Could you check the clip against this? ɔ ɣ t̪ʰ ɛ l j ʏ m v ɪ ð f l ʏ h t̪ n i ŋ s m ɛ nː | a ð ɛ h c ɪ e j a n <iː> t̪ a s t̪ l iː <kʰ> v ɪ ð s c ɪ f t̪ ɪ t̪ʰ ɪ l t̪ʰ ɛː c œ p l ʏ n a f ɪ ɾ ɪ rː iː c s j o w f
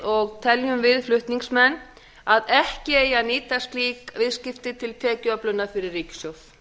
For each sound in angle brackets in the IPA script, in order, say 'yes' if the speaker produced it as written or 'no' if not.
yes, no

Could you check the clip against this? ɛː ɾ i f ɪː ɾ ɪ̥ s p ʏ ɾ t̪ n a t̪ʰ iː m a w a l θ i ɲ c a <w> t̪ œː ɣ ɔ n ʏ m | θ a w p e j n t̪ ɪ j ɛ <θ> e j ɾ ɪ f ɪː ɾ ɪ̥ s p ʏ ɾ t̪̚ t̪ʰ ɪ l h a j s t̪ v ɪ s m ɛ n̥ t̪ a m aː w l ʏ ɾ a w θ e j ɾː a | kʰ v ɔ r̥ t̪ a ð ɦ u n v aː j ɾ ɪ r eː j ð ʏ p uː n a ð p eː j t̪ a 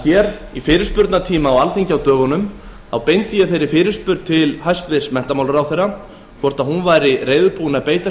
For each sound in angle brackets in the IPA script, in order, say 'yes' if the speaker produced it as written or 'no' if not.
yes, yes

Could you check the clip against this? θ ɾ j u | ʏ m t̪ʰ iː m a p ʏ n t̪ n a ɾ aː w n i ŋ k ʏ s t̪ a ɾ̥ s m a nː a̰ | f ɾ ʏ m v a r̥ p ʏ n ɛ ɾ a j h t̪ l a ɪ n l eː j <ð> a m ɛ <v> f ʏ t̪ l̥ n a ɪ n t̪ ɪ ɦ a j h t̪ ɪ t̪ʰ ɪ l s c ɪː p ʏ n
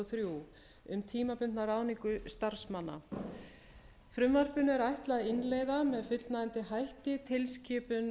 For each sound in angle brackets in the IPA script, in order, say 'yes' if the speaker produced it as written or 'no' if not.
yes, no

